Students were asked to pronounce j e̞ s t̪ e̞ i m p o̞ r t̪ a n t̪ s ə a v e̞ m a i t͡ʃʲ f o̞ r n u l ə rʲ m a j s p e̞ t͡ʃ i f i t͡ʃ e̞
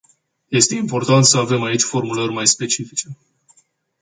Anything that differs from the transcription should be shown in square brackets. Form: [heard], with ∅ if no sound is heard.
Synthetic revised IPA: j e̞ s t̪ e̞ i m p o̞ r t̪ a n t̪ s ə a v e̞ m a i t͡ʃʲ f o̞ r [m] u l ə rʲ m a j s p e̞ t͡ʃ i f i t͡ʃ e̞